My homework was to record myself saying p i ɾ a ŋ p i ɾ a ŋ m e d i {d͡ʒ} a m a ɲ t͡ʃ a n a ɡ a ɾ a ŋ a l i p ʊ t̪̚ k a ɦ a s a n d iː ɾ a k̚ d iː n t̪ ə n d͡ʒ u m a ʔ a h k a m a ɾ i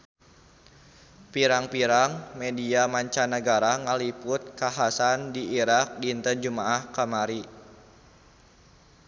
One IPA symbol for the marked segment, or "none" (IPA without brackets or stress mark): none